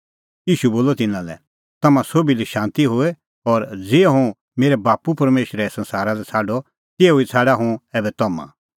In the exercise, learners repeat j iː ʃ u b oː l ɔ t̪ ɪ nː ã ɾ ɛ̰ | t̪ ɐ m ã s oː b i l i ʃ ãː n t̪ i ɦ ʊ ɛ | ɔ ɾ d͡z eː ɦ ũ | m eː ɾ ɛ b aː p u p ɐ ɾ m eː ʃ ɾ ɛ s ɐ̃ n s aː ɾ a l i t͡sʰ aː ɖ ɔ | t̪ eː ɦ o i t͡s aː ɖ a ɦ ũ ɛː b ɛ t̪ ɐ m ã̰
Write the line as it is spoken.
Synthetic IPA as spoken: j iː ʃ u b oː l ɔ t̪ ɪ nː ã l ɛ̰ | t̪ ɐ m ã s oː b i l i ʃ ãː n t̪ i ɦ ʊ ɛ | ɔ ɾ d͡z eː ɦ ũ | m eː ɾ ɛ b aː p u p ɐ ɾ m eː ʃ ɾ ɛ s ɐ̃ n s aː ɾ a l ɛ t͡sʰ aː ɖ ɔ | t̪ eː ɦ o i t͡sʰ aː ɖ a ɦ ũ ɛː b ɛ t̪ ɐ m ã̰